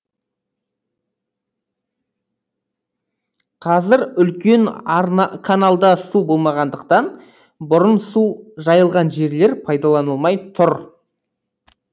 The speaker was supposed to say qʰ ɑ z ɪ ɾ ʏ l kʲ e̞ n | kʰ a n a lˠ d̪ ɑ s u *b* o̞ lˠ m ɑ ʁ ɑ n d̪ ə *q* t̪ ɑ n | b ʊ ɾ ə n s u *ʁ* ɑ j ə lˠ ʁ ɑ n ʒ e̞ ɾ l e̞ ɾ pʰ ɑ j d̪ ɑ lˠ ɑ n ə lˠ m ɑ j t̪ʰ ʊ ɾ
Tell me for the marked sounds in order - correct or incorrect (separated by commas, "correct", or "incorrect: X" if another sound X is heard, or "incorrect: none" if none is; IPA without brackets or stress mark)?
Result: correct, correct, incorrect: ʒ